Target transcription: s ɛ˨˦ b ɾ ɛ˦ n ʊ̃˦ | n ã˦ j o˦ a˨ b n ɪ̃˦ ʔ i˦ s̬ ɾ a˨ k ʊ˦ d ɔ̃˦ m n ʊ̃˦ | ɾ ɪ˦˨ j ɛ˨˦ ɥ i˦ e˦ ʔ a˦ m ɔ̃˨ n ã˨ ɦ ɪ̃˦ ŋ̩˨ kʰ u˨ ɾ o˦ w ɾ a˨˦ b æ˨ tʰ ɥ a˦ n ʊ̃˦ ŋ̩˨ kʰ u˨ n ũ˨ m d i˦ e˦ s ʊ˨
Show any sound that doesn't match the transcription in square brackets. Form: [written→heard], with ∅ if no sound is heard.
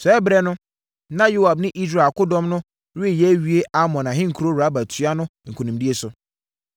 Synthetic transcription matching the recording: s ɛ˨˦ b ɾ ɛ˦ n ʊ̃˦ | n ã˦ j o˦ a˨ b n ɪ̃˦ ʔ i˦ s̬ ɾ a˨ k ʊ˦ d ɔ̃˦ m n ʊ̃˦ | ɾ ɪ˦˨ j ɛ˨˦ ɥ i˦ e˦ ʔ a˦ m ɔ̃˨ n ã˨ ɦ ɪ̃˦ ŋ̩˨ kʰ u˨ ɾ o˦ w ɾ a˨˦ b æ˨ tʰ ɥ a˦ n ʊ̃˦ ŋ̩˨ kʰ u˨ n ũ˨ m d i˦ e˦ s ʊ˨